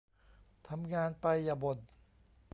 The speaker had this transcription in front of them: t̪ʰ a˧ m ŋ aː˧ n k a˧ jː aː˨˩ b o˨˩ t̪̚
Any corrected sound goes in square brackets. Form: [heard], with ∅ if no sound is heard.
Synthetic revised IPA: t̪ʰ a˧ m ŋ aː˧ n [p] a˧ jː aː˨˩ b o˨˩ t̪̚

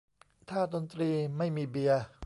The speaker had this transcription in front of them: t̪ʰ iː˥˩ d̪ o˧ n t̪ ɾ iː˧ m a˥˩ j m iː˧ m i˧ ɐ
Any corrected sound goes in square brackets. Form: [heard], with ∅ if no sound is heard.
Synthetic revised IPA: t̪ʰ [aː˥˩] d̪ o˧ n t̪ ɾ iː˧ m a˥˩ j m iː˧ [b] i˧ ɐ

